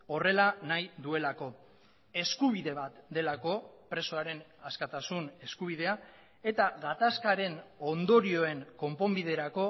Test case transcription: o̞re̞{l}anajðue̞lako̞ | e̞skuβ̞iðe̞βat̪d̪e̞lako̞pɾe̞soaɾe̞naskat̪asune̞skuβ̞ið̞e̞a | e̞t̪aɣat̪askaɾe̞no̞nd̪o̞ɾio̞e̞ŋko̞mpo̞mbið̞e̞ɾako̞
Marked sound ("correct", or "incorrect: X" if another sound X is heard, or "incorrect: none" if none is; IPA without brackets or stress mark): correct